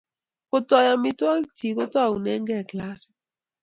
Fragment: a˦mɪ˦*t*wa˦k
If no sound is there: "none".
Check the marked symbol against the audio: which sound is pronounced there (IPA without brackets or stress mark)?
t